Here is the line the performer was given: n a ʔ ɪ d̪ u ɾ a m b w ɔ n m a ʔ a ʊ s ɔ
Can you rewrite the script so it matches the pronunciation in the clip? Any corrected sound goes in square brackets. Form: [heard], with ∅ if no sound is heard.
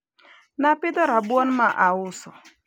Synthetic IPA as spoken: n a [p] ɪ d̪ [ɔ] ɾ a [∅] b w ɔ n m a ʔ a ʊ s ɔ